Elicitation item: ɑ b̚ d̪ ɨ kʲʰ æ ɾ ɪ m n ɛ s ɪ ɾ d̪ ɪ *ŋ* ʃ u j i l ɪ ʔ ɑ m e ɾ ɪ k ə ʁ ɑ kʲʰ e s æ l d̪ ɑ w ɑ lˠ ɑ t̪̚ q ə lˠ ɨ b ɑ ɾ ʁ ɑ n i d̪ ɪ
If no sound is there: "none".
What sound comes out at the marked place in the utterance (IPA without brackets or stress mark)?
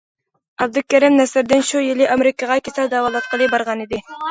n